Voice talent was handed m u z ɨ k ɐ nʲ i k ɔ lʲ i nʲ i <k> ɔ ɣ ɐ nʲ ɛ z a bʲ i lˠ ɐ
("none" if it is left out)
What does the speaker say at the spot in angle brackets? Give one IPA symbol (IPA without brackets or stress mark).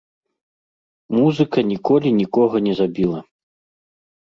k